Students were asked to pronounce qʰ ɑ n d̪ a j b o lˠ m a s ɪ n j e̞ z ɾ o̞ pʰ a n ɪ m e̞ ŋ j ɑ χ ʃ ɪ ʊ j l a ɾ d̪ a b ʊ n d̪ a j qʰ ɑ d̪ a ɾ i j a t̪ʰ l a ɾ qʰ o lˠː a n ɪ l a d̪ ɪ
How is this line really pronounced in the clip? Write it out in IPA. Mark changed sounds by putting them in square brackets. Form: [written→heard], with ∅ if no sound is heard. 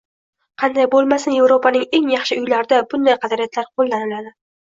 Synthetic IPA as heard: qʰ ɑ n d̪ a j b o lˠ m a s ɪ n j e̞ [z→v] ɾ o̞ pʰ a n ɪ [m→ŋ] e̞ ŋ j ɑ χ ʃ ɪ ʊ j l a ɾ d̪ a b ʊ n d̪ a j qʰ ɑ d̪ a ɾ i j a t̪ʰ l a ɾ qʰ o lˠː a n ɪ l a d̪ ɪ